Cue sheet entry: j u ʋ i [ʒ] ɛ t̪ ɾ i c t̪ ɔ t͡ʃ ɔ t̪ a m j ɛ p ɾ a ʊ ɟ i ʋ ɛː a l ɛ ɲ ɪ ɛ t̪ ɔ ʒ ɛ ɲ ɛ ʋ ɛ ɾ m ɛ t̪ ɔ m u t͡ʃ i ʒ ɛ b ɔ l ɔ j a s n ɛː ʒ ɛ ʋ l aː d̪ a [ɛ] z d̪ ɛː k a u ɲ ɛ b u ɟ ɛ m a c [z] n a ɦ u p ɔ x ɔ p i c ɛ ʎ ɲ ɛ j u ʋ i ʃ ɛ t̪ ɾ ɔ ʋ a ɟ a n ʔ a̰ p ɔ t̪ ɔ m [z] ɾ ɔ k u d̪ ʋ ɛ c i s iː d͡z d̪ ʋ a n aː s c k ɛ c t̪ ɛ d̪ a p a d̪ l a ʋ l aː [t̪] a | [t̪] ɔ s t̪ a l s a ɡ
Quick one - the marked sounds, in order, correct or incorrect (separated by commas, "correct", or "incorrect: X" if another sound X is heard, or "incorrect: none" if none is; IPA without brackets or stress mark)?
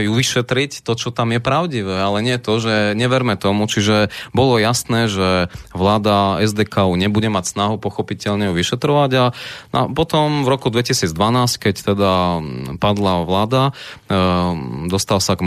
incorrect: ʃ, correct, incorrect: s, incorrect: v, incorrect: d̪, incorrect: d̪